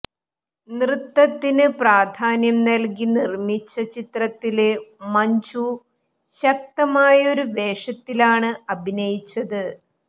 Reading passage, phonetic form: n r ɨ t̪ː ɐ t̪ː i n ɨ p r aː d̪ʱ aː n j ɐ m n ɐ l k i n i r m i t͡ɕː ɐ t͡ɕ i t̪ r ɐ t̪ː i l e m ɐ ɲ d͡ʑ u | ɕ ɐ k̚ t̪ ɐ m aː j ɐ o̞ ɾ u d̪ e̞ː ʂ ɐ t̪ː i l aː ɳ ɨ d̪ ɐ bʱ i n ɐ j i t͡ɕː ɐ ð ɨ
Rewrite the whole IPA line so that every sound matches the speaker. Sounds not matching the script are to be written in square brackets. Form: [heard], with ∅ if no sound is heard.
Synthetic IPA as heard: n r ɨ t̪ː ɐ t̪ː i n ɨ p r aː d̪ʱ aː n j ɐ m n ɐ l k i n i r m i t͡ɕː ɐ t͡ɕ i t̪ r ɐ t̪ː i l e m ɐ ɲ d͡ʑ u | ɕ ɐ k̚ t̪ ɐ m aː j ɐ o̞ ɾ u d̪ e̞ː ʂ ɐ t̪ː i l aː ɳ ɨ [∅] ɐ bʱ i n ɐ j i t͡ɕː ɐ ð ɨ